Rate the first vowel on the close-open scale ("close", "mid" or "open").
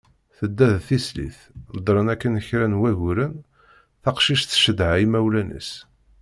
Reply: mid